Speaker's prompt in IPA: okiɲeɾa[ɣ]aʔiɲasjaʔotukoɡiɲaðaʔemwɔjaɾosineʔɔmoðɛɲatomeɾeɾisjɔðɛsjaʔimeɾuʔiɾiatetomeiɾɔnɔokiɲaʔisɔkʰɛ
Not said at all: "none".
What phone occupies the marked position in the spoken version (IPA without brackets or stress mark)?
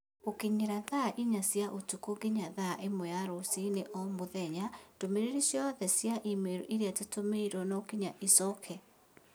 ð